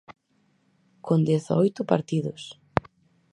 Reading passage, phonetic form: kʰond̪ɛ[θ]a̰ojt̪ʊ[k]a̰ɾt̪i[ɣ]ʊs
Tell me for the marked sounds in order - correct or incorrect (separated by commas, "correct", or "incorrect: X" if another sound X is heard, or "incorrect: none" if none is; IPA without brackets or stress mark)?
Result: correct, incorrect: p, incorrect: ð